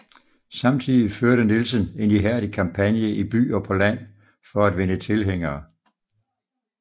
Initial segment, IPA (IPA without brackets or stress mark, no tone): s